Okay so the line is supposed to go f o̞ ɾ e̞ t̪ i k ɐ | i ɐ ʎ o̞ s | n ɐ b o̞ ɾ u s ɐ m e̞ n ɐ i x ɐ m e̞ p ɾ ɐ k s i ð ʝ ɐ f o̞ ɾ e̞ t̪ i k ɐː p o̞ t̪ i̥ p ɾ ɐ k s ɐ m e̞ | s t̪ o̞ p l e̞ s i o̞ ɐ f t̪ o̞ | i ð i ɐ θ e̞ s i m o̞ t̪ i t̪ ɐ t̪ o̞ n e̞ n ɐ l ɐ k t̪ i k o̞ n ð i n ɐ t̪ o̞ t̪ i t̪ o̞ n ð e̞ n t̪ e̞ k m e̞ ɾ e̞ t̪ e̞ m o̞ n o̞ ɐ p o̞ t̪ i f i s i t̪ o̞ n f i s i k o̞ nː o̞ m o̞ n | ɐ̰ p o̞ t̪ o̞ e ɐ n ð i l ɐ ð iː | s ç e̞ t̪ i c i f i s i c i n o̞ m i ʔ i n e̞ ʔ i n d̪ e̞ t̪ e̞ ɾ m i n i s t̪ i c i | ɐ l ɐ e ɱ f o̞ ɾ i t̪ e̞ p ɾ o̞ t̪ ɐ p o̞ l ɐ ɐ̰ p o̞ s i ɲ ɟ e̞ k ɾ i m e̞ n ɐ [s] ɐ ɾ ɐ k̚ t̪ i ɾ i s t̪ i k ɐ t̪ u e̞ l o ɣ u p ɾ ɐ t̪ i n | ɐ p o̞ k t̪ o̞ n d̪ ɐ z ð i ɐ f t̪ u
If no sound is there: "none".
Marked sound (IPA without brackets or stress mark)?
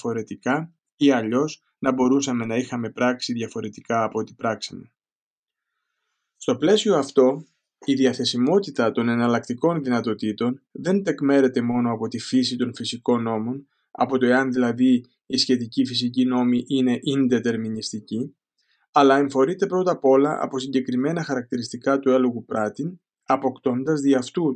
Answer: x